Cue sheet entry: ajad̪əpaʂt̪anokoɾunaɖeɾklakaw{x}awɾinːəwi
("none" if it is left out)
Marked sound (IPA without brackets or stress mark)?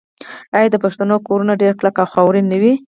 x